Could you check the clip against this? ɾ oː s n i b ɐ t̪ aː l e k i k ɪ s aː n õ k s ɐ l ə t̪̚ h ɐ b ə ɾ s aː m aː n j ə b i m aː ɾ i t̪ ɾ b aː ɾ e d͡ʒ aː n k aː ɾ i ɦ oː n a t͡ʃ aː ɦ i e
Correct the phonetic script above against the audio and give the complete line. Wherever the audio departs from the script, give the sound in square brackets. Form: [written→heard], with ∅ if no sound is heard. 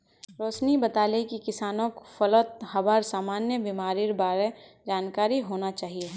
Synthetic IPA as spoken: ɾ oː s n i b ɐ t̪ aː l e k i k ɪ s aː n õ k [s→f] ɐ l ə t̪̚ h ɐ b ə ɾ s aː m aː n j ə b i m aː ɾ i [t̪→∅] ɾ b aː ɾ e d͡ʒ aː n k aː ɾ i ɦ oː n a t͡ʃ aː ɦ i e